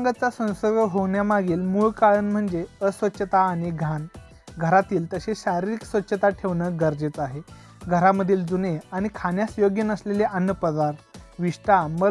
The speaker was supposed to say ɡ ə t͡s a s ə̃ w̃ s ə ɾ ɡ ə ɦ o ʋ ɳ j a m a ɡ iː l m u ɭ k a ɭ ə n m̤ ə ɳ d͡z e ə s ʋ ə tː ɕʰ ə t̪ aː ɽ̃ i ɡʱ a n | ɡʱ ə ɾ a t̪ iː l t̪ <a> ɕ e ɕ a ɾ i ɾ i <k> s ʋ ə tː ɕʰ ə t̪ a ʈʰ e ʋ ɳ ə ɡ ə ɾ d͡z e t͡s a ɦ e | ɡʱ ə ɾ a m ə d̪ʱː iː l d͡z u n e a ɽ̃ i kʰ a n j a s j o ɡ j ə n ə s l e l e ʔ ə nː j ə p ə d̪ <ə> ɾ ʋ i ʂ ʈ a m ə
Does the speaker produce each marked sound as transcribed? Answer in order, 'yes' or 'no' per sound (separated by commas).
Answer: no, yes, no